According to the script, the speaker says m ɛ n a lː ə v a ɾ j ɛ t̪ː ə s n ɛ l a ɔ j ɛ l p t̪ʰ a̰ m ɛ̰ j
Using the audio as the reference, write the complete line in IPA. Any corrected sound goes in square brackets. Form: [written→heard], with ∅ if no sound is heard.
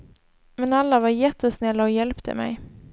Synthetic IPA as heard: m ɛ n a lː [ə→a] v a ɾ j ɛ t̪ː ə s n ɛ [l→lː] a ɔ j ɛ l p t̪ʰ [a̰→ə̰] m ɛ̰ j